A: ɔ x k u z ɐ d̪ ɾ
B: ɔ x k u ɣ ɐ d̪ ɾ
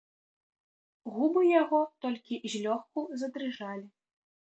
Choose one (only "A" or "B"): A